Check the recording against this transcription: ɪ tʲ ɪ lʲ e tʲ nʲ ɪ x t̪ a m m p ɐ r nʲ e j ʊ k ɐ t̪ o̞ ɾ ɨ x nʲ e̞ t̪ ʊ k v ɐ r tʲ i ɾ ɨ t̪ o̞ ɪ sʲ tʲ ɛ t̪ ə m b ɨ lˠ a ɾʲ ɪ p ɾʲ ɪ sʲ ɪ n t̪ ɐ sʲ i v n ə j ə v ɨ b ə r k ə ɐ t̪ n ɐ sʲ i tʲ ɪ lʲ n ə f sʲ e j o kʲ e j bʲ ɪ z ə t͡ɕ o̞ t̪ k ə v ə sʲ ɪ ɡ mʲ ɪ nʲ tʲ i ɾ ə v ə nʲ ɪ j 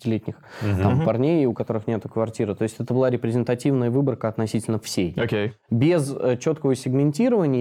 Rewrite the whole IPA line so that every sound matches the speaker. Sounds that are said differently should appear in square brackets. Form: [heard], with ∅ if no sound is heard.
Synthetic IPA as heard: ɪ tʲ ɪ lʲ e tʲ nʲ ɪ x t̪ a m m p ɐ r nʲ e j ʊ k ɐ t̪ o̞ ɾ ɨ x nʲ e̞ t̪ ʊ k v ɐ r tʲ i ɾ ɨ t̪ o̞ ɪ sʲ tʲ ɛ t̪ ə [∅] b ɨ lˠ a ɾʲ ɪ p ɾʲ ɪ [zʲ] ɪ n t̪ ɐ [tʲ] i v n ə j ə v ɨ b ə r k ə ɐ t̪ n ɐ sʲ i tʲ ɪ lʲ n ə f sʲ e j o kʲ e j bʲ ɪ z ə t͡ɕ o̞ t̪ k ə v ə sʲ ɪ ɡ mʲ ɪ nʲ tʲ i ɾ ə v ə nʲ ɪ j